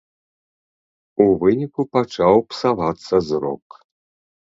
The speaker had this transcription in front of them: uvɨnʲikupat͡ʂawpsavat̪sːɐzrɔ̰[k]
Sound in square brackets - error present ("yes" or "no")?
no